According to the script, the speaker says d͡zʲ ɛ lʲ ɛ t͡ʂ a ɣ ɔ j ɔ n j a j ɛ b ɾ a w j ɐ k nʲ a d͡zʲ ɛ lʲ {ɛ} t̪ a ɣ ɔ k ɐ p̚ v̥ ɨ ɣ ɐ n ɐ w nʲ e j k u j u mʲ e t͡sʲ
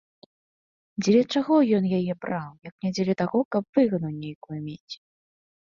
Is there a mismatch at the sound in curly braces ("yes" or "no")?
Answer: no